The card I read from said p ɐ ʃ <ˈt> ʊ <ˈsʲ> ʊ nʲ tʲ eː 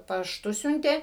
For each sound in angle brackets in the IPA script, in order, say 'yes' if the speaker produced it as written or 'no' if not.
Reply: yes, yes

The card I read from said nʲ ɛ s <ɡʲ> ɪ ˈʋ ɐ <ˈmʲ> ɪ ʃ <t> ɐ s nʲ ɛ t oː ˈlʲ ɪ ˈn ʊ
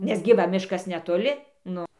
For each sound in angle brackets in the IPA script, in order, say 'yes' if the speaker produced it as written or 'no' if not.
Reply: yes, yes, no

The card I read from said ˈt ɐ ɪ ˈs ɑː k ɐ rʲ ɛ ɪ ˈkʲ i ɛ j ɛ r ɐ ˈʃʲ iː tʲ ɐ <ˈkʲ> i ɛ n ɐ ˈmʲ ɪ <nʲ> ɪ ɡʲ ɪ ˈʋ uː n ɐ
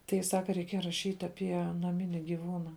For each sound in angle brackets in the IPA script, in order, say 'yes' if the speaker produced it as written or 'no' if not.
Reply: no, yes

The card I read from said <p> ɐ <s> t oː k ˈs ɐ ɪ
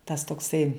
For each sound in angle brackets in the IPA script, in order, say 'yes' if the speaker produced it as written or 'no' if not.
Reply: no, yes

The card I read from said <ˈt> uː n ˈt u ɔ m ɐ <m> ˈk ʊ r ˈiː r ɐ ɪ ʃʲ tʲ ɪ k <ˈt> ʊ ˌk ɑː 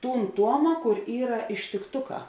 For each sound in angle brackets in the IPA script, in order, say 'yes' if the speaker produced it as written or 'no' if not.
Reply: yes, no, yes

